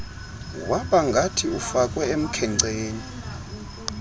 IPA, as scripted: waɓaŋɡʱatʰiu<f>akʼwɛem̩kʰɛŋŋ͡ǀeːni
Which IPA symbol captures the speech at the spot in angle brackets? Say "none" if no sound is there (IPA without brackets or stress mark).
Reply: f